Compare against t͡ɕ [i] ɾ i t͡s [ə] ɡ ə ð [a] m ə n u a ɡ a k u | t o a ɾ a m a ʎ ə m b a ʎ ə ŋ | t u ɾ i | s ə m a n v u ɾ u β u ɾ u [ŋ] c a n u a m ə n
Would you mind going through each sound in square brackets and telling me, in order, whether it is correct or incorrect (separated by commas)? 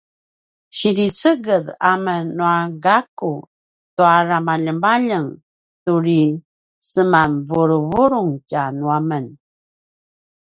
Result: correct, correct, correct, correct